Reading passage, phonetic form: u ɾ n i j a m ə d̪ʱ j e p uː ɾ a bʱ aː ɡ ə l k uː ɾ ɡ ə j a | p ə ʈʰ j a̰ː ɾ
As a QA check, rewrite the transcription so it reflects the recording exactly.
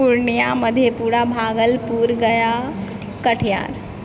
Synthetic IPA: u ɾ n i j a m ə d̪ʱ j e p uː ɾ a bʱ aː ɡ ə l p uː ɾ ɡ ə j a | k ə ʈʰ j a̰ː ɾ